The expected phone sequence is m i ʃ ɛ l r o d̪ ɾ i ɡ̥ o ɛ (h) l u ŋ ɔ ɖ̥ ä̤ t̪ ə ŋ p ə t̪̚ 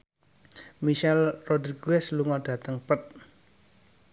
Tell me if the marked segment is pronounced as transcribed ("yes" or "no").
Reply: no